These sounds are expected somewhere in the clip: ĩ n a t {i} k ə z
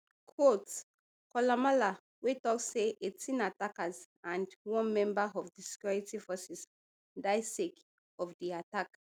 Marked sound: incorrect: a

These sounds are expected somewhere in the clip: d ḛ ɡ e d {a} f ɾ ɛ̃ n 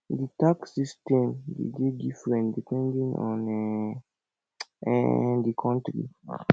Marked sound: incorrect: i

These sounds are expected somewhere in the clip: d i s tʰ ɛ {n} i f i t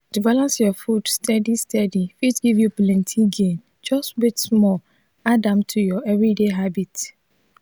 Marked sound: incorrect: d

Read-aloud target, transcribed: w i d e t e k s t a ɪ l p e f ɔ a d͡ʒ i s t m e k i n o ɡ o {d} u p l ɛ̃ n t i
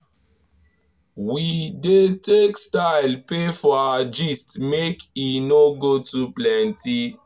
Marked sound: incorrect: t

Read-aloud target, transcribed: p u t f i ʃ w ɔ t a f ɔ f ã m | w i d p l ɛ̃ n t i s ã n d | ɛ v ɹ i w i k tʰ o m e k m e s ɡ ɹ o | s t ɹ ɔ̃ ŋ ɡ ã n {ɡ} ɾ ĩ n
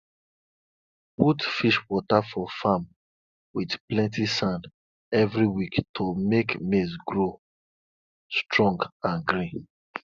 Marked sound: correct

